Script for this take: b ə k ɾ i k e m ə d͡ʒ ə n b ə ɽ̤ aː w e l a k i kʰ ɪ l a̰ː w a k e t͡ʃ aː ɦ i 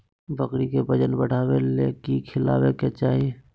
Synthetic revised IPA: b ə k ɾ i k e b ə d͡ʒ ə n b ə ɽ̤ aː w e l e k i kʰ ɪ l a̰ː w e k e t͡ʃ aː ɦ i

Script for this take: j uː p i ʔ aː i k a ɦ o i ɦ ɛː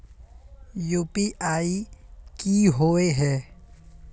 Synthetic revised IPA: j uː p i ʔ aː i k i ɦ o e ɦ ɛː

